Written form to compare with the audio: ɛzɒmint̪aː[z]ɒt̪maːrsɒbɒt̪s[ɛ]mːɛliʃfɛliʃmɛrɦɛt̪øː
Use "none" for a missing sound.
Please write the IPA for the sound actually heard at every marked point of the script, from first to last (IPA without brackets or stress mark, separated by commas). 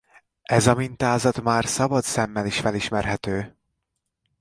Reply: z, ɛ